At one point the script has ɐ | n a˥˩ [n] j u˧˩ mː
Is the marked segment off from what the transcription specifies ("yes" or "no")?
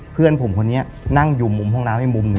yes